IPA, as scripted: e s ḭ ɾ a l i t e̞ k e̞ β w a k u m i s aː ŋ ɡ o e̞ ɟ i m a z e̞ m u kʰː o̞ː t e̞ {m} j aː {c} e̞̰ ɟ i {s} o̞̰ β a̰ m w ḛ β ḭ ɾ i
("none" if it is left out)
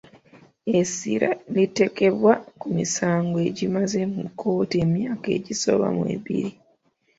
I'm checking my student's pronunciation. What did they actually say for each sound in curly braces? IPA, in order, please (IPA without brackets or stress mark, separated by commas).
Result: m, k, s